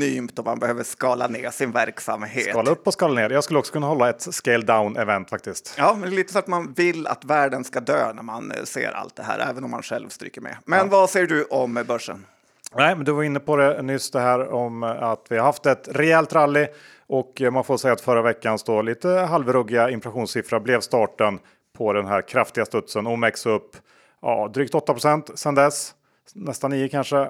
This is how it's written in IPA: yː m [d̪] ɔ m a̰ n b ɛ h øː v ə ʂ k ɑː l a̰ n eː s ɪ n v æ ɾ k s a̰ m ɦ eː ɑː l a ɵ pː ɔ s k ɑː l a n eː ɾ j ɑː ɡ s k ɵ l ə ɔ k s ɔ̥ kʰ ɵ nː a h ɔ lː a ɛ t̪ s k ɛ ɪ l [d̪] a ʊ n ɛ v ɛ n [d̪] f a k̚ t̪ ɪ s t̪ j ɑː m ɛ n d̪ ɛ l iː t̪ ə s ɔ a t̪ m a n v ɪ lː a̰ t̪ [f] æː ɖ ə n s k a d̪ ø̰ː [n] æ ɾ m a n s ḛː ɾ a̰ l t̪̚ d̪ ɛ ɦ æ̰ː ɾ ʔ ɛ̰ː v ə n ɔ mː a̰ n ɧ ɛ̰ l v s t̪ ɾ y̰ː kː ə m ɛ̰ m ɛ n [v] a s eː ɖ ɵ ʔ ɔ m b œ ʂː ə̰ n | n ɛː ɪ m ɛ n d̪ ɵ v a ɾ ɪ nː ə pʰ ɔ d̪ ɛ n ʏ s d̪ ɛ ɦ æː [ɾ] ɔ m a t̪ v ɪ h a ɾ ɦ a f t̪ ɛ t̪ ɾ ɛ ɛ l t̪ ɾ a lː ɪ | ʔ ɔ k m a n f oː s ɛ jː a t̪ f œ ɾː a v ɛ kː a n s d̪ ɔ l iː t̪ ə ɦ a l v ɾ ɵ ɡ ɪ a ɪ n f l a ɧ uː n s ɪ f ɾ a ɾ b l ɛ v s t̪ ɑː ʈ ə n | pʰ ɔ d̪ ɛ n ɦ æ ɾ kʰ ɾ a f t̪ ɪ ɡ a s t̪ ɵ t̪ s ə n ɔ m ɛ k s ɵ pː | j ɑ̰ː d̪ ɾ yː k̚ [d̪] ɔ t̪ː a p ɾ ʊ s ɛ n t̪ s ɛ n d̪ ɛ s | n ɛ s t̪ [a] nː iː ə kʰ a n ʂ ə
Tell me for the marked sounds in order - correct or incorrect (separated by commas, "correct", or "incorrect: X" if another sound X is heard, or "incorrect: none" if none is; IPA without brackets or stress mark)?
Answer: incorrect: t̪, correct, incorrect: t̪, incorrect: v, correct, correct, correct, incorrect: t̪, correct